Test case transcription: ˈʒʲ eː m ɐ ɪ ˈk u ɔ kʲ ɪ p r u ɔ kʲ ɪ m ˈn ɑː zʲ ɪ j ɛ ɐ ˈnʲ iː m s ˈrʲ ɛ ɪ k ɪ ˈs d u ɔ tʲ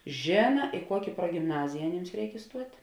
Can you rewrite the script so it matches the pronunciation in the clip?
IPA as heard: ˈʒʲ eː n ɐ ɪ ˈk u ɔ kʲ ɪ p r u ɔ ɡʲ ɪ m ˈn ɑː zʲ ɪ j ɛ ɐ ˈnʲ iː m s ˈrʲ ɛ ɪ k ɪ ˈs t u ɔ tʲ